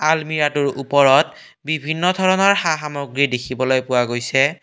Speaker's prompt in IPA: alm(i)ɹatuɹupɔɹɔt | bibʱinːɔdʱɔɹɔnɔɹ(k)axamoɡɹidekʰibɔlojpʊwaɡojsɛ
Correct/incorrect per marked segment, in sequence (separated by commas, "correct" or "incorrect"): correct, incorrect